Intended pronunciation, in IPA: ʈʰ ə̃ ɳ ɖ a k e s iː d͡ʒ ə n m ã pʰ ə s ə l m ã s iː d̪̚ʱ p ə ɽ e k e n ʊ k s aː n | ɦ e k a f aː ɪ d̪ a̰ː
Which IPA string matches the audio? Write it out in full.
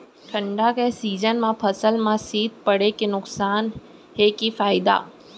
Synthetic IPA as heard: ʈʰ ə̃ ɳ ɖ a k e s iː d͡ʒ ə n m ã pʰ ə s ə l m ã s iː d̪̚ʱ p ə ɽ e k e n ʊ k s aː n | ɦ e k i f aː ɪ d̪ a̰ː